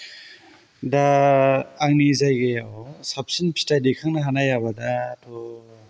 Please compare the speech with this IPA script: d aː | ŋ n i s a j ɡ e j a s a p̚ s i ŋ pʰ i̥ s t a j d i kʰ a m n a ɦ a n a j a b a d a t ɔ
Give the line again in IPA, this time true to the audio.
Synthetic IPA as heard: d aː | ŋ n i z a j ɡ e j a s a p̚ s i n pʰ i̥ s t a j d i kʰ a ŋ n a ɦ a n a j a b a d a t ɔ